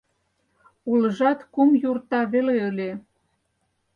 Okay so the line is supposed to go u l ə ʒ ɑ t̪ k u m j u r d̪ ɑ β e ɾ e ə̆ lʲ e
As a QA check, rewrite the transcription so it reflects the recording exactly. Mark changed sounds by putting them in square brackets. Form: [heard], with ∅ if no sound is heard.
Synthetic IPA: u l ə ʒ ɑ t̪ k u m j u r [t̪] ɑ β e [l] e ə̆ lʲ e